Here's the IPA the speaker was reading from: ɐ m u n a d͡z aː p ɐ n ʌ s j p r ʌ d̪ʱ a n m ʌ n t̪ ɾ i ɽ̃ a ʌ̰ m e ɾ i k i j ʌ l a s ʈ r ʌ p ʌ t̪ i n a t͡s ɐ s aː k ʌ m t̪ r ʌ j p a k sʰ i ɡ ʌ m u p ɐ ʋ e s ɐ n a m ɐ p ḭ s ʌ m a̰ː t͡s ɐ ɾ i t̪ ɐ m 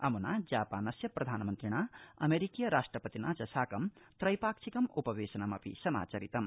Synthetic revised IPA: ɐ m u n a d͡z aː p a n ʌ s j p r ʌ d̪ʱ a n m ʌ n t̪ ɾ i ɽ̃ a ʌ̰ m e ɾ i k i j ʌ ɾ a s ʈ r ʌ p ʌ t̪ i n a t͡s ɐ s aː k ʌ m t̪ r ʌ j p a k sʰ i k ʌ m u p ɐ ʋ e s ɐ n a m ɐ p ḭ s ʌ m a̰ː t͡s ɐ ɾ i t̪ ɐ m